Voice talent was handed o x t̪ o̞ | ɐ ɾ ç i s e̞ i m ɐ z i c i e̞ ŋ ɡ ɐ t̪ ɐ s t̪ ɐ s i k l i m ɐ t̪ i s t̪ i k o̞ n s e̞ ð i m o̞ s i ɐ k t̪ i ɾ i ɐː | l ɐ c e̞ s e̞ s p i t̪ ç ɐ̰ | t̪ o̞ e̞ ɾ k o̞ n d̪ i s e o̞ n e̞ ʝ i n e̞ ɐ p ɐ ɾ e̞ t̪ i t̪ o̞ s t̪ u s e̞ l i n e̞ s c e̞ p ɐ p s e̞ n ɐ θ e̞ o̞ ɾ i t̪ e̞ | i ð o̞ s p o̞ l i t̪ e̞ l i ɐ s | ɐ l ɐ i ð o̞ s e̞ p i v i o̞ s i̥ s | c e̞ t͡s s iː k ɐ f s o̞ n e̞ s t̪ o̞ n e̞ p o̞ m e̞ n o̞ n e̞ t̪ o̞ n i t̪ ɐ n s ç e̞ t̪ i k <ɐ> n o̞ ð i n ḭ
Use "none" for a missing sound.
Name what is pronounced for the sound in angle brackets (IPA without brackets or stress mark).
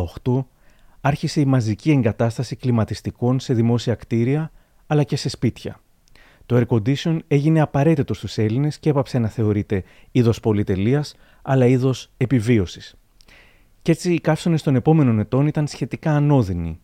ɐː